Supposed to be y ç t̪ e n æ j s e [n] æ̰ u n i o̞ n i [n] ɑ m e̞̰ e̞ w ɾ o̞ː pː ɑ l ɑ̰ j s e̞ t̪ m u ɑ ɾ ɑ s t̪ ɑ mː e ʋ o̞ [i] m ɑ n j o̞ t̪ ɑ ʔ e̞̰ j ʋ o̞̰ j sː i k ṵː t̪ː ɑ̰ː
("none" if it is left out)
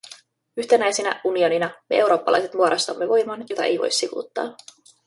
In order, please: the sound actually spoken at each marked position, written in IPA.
n, n, j

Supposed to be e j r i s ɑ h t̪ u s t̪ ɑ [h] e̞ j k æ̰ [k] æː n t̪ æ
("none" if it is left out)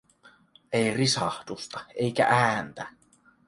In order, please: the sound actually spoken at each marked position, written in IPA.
none, ʔ

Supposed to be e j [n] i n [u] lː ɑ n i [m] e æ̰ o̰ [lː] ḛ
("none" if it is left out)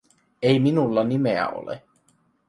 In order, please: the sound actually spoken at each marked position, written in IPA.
m, u, m, l

